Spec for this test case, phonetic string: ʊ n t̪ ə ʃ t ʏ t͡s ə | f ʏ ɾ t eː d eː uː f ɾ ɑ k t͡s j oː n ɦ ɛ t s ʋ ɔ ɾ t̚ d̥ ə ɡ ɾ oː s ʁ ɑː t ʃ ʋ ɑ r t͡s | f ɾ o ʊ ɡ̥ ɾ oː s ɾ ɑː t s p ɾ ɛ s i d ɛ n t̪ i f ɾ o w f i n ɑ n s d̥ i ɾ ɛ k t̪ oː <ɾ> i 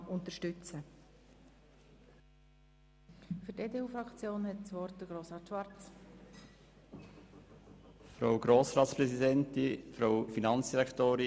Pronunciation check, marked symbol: correct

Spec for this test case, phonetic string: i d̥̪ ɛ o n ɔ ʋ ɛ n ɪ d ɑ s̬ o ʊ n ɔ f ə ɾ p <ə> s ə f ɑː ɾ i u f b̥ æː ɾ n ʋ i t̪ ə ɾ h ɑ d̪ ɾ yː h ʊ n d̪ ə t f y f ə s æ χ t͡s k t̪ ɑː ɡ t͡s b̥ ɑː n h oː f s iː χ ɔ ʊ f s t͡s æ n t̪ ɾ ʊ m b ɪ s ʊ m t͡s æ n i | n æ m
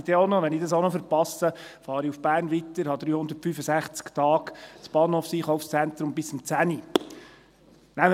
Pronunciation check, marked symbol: incorrect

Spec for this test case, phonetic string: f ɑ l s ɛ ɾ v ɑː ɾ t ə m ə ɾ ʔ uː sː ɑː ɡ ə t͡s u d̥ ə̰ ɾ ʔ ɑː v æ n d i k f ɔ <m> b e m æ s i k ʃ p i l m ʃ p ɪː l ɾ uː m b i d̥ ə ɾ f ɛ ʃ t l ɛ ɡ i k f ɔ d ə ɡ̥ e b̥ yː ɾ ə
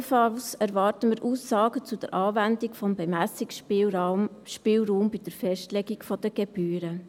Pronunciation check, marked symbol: correct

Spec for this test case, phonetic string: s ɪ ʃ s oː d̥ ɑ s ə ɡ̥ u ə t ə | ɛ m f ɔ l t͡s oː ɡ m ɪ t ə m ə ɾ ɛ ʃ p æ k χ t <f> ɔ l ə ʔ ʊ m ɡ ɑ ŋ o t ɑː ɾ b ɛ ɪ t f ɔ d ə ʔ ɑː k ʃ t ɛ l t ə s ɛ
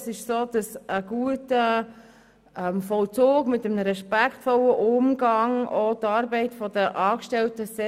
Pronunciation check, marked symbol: correct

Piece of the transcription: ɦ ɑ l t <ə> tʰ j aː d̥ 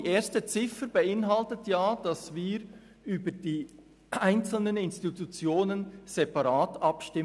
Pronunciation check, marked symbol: correct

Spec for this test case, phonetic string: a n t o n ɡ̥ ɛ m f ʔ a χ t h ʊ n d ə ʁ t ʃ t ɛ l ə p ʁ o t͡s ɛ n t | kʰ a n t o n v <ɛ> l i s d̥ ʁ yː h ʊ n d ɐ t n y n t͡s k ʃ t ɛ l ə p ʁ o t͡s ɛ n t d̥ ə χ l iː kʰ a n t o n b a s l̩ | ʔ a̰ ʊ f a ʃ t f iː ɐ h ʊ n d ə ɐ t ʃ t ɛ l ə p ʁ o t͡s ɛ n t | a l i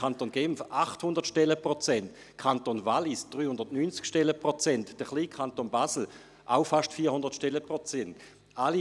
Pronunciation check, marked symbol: incorrect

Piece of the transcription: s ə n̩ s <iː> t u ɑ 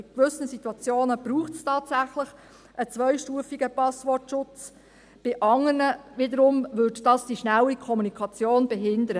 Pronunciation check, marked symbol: incorrect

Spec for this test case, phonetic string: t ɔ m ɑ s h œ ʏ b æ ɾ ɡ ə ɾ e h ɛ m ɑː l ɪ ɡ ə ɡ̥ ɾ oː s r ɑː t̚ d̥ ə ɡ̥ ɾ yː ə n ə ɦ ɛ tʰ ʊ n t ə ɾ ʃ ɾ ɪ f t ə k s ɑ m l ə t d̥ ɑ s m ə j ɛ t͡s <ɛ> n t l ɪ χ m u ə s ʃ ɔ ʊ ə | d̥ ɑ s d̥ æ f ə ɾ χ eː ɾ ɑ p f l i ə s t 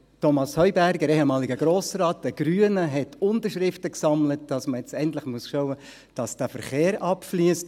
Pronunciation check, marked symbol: correct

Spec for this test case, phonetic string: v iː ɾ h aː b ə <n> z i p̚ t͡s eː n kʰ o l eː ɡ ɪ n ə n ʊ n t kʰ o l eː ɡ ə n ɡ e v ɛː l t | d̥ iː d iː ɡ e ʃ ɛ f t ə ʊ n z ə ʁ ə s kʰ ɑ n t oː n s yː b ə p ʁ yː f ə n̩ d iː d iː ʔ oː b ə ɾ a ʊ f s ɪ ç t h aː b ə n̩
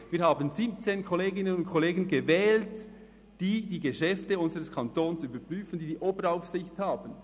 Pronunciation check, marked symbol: correct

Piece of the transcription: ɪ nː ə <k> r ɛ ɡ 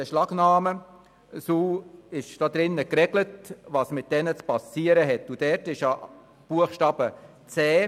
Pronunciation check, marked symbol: correct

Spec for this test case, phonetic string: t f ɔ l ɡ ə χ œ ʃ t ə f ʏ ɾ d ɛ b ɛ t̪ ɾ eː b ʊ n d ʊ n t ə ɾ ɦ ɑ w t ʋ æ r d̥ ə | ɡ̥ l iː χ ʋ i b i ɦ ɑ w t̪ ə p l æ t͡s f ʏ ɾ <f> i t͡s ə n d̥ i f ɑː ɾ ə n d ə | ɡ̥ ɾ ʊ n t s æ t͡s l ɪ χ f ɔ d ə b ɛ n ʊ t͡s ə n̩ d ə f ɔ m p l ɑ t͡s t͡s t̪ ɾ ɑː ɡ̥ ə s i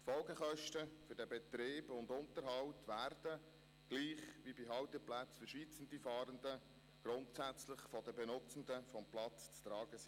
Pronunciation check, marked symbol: incorrect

